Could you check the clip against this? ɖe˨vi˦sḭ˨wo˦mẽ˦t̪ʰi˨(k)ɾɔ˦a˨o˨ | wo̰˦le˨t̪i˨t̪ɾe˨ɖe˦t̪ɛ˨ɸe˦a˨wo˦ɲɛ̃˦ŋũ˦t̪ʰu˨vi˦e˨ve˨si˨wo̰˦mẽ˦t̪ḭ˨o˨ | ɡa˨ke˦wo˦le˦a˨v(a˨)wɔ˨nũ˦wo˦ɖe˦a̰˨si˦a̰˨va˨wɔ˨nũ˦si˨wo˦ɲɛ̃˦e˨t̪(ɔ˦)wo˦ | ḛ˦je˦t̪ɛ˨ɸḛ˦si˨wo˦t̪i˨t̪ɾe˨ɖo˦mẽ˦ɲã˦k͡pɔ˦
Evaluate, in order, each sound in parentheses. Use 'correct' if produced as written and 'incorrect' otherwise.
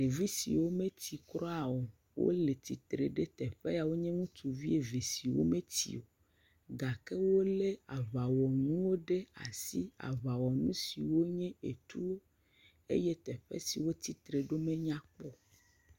correct, correct, incorrect

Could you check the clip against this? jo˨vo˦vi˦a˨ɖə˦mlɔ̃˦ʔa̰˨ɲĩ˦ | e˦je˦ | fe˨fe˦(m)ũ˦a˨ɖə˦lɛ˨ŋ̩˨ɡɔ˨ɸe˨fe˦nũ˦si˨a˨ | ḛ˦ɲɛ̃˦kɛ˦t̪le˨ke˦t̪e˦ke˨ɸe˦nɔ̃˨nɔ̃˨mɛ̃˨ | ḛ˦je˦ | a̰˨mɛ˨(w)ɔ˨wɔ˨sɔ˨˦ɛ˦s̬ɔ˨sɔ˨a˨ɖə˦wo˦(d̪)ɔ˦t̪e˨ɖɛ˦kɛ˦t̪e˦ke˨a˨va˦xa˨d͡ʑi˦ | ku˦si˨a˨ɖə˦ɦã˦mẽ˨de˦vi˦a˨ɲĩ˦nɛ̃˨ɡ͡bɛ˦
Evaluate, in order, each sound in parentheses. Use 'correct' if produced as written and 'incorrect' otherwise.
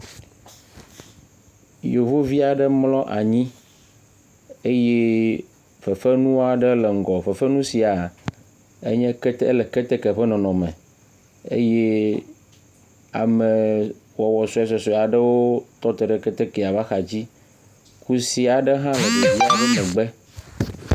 incorrect, correct, incorrect

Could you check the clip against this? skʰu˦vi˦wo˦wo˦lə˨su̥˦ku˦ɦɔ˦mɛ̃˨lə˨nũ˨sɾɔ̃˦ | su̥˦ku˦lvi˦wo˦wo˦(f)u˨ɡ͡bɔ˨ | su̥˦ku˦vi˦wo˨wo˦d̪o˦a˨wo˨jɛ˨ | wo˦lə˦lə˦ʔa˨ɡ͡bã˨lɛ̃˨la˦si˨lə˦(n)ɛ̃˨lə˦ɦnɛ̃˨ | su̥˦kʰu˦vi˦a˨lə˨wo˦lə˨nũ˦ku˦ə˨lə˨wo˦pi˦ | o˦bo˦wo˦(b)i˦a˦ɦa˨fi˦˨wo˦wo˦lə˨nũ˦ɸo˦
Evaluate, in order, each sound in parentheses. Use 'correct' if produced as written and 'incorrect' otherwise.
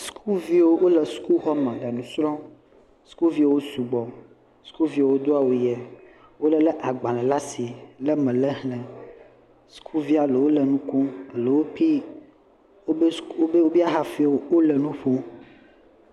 incorrect, incorrect, correct

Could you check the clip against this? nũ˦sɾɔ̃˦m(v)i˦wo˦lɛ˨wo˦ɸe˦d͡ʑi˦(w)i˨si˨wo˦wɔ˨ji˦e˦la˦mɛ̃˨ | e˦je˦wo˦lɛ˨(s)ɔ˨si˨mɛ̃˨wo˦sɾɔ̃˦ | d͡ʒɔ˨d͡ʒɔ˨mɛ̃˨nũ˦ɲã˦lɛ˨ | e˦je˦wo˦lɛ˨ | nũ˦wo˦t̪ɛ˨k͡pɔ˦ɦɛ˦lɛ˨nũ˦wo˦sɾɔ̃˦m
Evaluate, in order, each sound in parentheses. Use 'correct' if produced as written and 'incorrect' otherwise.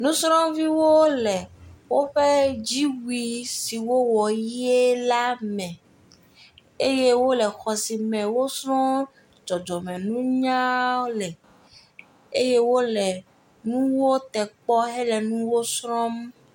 correct, correct, incorrect

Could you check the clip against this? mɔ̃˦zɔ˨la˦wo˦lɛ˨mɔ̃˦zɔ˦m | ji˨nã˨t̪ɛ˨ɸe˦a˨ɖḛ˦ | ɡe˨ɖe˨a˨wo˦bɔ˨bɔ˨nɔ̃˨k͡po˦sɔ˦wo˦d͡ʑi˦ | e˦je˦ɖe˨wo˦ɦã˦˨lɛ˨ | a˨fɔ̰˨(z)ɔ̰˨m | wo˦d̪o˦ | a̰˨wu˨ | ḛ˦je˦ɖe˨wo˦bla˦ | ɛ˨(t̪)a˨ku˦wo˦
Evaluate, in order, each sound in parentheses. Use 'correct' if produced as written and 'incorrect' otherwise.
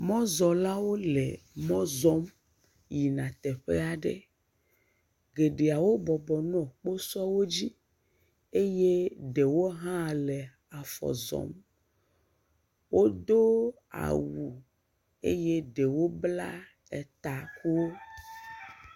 correct, correct

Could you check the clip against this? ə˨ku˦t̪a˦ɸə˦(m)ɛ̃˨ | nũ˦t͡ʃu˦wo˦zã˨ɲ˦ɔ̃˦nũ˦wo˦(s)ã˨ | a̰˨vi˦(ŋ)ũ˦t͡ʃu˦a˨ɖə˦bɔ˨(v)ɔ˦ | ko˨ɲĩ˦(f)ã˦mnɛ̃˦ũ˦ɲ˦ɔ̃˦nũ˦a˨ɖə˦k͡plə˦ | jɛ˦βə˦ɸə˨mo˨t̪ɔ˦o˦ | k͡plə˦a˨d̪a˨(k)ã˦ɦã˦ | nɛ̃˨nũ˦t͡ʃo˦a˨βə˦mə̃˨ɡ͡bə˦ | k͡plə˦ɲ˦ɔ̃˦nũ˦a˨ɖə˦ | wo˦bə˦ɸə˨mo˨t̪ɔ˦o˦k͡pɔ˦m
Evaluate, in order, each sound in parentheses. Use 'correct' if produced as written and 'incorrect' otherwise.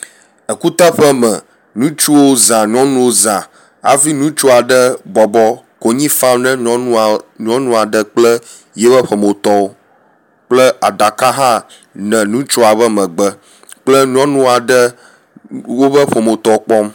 correct, incorrect, incorrect, incorrect, correct, correct

